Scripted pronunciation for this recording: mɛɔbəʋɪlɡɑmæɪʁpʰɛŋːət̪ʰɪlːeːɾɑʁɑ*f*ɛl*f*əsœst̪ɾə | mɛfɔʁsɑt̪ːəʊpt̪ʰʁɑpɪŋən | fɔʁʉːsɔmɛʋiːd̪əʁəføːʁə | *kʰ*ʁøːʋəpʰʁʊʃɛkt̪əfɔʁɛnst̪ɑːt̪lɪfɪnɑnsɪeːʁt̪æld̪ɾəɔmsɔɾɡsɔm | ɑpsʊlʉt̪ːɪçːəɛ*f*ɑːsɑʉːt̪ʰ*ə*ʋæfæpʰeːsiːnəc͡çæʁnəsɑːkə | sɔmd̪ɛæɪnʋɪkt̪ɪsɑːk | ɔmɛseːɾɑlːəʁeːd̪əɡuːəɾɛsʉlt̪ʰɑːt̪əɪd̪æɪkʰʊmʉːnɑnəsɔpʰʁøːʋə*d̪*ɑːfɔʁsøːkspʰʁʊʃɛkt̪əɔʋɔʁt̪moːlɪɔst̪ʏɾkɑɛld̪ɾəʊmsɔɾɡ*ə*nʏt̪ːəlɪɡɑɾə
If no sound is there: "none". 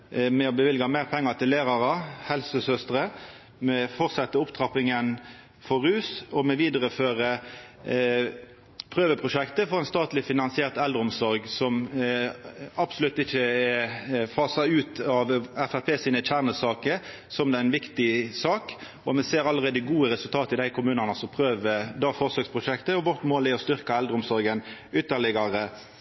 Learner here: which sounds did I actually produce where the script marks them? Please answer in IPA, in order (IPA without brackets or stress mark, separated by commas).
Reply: h, s, pʰ, f, ɑ, d̪, ə